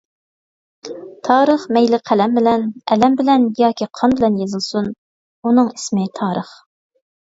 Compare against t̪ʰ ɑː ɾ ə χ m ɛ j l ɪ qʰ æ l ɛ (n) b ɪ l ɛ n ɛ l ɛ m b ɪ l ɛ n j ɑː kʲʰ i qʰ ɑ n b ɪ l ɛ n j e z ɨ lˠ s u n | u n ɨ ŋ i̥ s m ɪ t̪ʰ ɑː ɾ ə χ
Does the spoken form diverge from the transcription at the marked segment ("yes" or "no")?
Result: yes